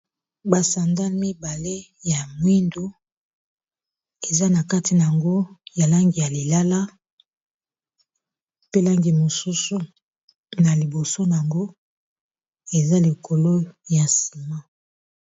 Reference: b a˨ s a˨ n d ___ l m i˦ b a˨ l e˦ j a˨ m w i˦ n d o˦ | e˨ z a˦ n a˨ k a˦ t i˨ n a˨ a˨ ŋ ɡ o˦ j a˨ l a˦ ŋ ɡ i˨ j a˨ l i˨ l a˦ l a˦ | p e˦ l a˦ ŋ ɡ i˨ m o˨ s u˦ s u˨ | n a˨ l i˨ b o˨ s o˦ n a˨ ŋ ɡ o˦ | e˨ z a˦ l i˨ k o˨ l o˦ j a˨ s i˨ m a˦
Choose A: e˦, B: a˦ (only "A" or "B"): B